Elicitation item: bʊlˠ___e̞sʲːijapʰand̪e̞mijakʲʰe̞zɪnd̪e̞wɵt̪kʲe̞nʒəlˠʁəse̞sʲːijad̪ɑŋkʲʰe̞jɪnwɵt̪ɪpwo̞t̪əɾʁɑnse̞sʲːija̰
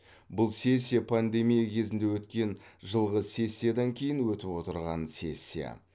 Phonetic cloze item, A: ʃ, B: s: B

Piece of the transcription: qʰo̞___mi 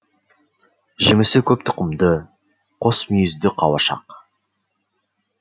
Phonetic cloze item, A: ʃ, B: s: B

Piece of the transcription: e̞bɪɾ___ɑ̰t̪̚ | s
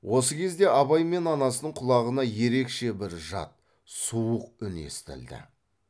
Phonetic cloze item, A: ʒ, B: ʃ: A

